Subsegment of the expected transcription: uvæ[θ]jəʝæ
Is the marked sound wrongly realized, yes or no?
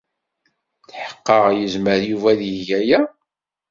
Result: yes